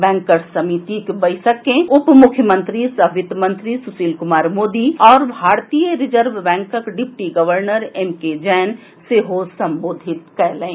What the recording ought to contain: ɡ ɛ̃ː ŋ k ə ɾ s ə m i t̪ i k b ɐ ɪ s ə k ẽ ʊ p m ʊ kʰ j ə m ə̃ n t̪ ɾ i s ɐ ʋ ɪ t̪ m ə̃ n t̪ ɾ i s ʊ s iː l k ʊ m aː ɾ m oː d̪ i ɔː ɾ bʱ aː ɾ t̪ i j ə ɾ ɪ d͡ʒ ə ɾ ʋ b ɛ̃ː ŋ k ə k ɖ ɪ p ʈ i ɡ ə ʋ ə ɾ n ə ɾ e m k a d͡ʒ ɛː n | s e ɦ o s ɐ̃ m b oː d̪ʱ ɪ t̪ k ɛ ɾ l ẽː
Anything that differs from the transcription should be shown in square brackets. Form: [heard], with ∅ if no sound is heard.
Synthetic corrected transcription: [b] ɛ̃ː ŋ k ə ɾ s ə m i t̪ i k b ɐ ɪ s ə k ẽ ʊ p m ʊ kʰ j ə m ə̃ n t̪ ɾ i s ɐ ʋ ɪ t̪ m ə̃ n t̪ ɾ i s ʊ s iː l k ʊ m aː ɾ m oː d̪ i ɔː ɾ bʱ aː ɾ t̪ i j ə ɾ ɪ d͡ʒ ə ɾ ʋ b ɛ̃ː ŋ k ə k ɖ ɪ p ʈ i ɡ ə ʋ ə ɾ n ə ɾ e m k [e] d͡ʒ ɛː n | s e ɦ o s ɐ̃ m b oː d̪ʱ ɪ t̪ k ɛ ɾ l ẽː